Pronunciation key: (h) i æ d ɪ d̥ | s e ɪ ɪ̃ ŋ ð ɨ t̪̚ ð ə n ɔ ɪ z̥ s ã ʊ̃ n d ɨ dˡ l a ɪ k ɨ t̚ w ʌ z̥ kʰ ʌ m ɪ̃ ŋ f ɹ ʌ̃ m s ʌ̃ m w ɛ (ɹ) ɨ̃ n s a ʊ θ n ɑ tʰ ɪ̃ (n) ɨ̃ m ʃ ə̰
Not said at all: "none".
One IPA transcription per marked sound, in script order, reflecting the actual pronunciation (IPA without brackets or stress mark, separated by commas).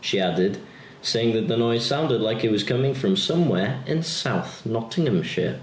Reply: ʃ, ɹ, ŋ